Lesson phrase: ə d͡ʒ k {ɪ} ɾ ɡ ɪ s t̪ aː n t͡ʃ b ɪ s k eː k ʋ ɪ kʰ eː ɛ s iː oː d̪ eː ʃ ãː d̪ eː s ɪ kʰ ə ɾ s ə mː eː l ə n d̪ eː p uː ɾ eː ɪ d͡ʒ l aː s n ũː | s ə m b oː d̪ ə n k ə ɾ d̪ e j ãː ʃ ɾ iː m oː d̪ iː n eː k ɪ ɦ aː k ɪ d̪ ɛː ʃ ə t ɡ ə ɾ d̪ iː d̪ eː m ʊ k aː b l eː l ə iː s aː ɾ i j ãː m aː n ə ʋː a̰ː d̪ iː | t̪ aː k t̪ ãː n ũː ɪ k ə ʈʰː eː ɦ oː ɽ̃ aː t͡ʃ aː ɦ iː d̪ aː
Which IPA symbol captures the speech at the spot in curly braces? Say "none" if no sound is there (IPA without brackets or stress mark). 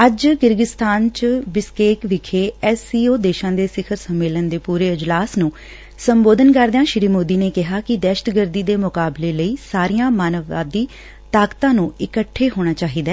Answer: ɪ